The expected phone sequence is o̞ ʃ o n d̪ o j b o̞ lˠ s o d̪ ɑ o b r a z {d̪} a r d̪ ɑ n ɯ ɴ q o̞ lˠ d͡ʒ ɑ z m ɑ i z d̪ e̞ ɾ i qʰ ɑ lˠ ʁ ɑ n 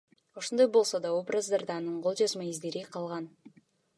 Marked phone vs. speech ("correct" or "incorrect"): correct